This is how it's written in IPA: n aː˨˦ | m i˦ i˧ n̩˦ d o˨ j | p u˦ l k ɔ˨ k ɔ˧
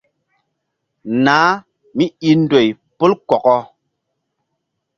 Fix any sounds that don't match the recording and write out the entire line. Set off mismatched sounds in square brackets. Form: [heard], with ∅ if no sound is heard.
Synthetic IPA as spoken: n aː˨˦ | m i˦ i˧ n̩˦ d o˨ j | p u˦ l k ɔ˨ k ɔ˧

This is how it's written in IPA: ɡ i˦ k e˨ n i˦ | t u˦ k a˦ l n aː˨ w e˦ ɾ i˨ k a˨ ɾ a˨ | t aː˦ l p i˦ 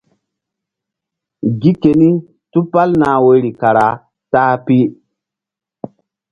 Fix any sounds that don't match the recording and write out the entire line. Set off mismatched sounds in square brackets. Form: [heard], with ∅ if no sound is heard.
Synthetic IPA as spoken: ɡ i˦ k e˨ n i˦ | t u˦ [p] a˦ l n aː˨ w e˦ ɾ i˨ k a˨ ɾ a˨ | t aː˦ [∅] p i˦

